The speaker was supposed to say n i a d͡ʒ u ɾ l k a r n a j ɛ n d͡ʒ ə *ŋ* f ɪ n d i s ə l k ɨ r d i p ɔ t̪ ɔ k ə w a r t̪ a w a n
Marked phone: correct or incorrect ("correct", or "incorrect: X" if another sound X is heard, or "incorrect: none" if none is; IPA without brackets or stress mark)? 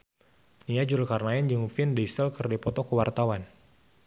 correct